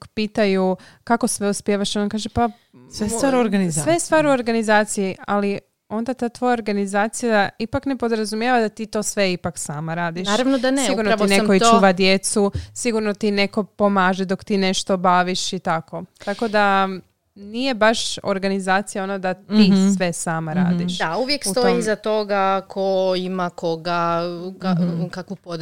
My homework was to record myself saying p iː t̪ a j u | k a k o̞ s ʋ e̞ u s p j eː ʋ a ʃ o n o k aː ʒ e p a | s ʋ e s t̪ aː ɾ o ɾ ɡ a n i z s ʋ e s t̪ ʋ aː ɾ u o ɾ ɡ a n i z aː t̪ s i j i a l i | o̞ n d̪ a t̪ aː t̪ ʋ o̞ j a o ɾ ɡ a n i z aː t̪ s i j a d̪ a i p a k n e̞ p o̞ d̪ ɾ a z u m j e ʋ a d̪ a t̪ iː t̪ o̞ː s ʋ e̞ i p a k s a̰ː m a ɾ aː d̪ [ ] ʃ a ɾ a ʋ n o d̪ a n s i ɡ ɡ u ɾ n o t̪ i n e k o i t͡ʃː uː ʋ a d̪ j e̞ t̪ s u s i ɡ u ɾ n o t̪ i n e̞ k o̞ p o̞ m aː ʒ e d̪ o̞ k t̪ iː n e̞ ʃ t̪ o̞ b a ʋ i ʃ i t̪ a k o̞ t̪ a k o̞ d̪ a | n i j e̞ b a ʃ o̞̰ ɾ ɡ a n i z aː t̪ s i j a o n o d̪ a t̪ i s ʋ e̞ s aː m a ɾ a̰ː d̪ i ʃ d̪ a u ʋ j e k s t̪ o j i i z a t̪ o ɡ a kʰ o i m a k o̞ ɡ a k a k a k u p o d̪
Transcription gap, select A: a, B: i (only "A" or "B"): B